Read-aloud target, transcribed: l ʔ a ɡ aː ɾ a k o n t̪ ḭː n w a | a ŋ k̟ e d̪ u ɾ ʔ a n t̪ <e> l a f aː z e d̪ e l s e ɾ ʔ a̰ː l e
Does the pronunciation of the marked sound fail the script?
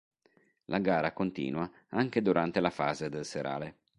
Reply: no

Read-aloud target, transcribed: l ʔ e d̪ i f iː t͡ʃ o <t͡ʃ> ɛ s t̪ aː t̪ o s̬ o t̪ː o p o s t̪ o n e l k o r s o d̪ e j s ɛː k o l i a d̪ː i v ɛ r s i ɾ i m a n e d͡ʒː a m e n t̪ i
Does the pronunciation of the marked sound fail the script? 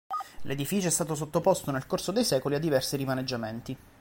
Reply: yes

